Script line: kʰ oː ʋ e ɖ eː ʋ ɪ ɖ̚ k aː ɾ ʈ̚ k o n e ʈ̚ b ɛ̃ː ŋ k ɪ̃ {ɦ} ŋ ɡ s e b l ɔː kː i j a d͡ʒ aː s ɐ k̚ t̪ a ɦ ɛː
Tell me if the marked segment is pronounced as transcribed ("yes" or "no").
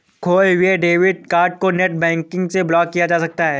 no